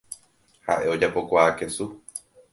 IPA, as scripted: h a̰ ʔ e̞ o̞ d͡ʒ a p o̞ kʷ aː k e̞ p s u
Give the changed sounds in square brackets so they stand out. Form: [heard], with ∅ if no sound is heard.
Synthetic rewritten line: h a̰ ʔ e̞ o̞ d͡ʒ a p o̞ kʷ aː k e̞ [∅] s u